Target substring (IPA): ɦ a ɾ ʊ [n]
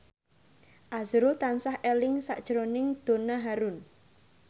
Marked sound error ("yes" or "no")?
no